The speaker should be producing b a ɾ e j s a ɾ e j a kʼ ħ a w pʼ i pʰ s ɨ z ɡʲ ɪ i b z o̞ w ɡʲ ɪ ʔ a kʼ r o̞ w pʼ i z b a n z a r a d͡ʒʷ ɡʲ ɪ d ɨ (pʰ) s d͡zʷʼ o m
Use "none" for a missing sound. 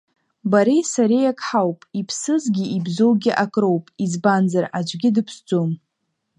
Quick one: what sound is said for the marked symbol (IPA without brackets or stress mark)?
pʰ